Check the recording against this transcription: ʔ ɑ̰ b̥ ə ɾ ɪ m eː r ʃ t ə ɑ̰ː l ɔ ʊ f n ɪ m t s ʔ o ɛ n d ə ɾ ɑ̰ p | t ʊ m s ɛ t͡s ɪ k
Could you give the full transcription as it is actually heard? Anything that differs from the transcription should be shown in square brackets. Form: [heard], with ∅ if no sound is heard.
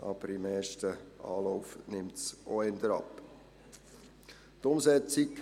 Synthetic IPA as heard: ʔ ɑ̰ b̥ ə ɾ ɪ m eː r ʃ t ə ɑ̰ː l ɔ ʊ f n ɪ m t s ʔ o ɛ n d ə ɾ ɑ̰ p | t ʊ m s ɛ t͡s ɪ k